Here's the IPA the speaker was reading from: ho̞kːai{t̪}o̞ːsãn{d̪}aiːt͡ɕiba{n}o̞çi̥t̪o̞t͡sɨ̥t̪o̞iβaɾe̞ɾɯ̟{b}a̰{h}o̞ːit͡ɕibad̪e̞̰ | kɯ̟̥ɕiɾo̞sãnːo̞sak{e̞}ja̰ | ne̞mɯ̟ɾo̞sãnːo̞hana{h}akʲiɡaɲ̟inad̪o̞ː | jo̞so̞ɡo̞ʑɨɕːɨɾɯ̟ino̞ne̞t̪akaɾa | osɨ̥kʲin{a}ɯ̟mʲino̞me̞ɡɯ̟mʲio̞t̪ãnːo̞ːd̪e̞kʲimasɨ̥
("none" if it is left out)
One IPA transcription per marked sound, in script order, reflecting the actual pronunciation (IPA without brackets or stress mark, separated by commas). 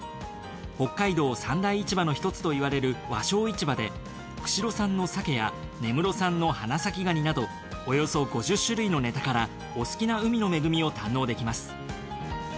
d̪, d̪, n, β, ɕ, e̞, s, a